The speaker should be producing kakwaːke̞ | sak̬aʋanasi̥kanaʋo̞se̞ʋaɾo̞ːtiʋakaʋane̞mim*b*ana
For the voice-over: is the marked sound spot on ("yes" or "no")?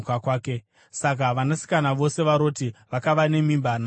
yes